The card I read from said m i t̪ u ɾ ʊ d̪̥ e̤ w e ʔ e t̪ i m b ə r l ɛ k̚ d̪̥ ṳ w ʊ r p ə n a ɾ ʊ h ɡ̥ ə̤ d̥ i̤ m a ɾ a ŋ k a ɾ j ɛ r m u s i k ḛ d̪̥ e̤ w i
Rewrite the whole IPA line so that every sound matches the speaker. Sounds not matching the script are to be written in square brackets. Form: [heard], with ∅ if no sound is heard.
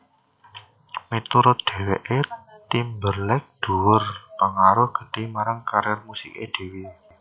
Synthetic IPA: m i t̪ u ɾ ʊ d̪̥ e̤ w e ʔ e t̪ i m b ə r l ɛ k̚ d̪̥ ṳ w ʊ r p ə [ŋ] a ɾ ʊ h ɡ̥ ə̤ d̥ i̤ m a ɾ a ŋ k a ɾ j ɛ r m u s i k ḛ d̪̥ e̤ w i

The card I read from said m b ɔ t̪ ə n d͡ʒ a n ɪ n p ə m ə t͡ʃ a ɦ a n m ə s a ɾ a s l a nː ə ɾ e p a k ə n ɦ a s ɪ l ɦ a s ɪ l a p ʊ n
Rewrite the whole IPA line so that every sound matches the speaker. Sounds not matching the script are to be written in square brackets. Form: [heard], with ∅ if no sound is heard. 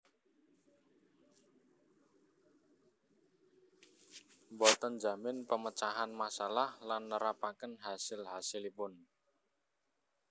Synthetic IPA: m b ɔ t̪ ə n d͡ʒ a [m] ɪ n p ə m ə t͡ʃ a ɦ a n m [a] s a [l] a [h] l a nː ə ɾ [a] p a k ə n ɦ a s ɪ l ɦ a s ɪ l [i] p ʊ n

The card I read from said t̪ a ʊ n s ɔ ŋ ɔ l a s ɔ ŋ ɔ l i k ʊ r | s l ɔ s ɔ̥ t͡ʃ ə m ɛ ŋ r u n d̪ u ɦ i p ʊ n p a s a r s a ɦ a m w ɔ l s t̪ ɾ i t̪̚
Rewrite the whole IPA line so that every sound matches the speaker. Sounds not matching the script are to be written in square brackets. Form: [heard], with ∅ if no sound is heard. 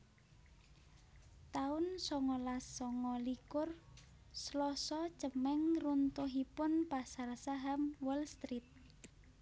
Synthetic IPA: t̪ a ʊ n s ɔ ŋ ɔ l a s ɔ ŋ ɔ l i k ʊ r | s l ɔ s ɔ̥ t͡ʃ ə m ɛ ŋ r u n [t̪] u ɦ i p ʊ n p a s a r s a ɦ a m w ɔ l s t̪ ɾ i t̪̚

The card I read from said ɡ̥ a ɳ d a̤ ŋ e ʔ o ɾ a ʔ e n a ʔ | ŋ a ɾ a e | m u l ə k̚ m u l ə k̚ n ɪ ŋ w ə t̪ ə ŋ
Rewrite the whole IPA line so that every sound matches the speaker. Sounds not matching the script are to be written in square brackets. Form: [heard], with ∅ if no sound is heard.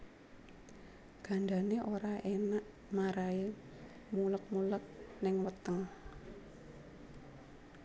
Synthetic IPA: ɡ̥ a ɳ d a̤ [n] e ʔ o ɾ a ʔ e n a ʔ | [m] a ɾ a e | m u l ə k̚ m u l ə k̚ n ɪ ŋ w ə t̪ ə ŋ

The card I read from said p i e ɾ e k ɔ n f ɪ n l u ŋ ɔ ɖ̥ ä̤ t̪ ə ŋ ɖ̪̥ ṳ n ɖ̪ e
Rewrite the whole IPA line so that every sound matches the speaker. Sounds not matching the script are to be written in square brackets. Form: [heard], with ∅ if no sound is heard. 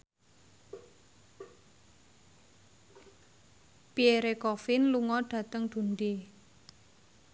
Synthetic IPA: p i e ɾ e k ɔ [∅] f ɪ n l u ŋ ɔ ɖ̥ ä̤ t̪ ə ŋ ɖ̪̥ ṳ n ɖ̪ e

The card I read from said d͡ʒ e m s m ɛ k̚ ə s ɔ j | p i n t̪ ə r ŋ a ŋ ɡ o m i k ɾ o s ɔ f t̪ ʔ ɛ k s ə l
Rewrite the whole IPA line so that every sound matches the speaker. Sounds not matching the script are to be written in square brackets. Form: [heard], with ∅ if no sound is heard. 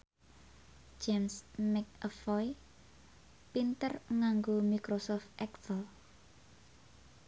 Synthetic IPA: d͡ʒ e m s m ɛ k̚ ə [f] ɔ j | p i n t̪ ə r ŋ a ŋ ɡ o m i k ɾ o s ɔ f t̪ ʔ ɛ k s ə l

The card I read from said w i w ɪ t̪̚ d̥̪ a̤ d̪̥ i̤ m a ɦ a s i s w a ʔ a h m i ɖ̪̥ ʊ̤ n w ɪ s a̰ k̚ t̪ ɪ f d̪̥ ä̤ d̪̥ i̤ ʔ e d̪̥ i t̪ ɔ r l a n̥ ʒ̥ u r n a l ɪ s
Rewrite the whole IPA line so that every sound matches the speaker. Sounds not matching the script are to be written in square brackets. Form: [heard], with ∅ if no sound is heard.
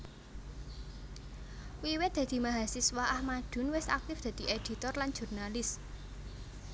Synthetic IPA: w i w ɪ t̪̚ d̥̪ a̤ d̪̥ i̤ m a ɦ a s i s w a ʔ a h m [a] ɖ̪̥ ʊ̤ n w ɪ s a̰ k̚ t̪ ɪ f d̪̥ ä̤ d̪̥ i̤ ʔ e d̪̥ i t̪ ɔ r l a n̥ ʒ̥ u r n a l ɪ s

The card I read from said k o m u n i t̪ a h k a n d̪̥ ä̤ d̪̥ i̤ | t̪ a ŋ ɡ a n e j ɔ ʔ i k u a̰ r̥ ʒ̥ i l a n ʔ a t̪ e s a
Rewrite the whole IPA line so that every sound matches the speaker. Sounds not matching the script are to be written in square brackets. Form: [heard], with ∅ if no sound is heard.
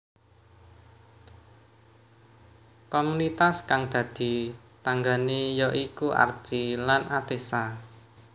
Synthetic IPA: k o m u n i t̪ a [s] k a [ŋ] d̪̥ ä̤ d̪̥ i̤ | t̪ a ŋ ɡ a n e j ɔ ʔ i k u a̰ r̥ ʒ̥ i l a n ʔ a t̪ e s a

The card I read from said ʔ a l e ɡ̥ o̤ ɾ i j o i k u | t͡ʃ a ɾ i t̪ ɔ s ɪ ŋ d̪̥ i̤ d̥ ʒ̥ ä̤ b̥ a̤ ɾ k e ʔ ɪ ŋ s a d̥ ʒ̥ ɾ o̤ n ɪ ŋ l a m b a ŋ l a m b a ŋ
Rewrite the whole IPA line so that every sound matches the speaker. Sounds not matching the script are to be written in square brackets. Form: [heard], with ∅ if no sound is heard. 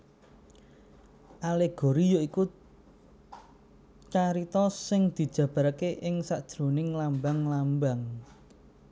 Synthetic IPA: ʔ a l e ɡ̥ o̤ ɾ i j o i k u | t͡ʃ a ɾ i t̪ ɔ s ɪ ŋ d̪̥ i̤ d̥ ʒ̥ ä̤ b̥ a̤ ɾ k e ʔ ɪ ŋ s a d̥ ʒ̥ ɾ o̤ n ɪ ŋ l a m b a ŋ l a m b a ŋ

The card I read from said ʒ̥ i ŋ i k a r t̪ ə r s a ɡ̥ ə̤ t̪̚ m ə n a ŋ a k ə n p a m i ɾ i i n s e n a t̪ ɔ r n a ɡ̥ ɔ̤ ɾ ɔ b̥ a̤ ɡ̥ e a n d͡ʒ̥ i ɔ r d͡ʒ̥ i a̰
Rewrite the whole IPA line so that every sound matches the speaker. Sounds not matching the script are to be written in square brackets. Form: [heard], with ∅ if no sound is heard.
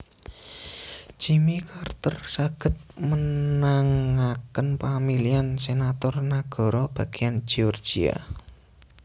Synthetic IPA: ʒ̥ i [m] i k a r t̪ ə r s a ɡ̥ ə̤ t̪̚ m ə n a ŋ a k ə n p a m i [l] i [a] n s e n a t̪ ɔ r n a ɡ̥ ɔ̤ ɾ ɔ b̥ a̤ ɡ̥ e a n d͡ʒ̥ i ɔ r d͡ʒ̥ i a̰

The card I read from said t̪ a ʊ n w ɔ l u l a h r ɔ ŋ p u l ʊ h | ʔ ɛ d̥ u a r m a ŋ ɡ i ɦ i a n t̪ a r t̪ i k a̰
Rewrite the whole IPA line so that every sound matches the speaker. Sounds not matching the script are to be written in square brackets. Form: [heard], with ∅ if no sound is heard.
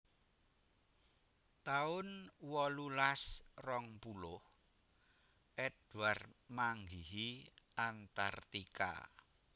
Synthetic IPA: t̪ a ʊ n w ɔ l u l a [s] r ɔ ŋ p u l ʊ h | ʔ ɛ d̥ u a r m a ŋ ɡ i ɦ i a n t̪ a r t̪ i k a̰

